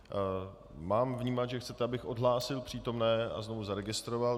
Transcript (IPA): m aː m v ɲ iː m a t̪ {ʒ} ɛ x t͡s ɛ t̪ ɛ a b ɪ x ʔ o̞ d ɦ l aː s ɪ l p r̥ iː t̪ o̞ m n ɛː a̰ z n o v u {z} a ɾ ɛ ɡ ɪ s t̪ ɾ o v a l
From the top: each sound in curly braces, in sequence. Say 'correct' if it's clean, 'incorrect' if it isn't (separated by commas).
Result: correct, correct